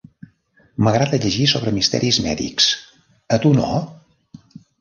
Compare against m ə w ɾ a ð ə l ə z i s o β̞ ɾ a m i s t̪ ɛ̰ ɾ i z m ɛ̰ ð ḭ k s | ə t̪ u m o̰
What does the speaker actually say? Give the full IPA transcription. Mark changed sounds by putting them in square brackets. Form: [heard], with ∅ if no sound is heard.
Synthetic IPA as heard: m ə [ɣ] ɾ a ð ə [ʎ] ə [ʒ] i s o β̞ ɾ [ə] m i s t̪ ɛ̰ ɾ i z m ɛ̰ ð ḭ k s | ə t̪ u [n] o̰